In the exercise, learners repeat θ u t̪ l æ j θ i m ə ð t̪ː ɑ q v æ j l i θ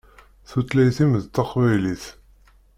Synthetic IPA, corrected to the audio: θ u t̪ l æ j θ i m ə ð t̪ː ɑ q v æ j l i θ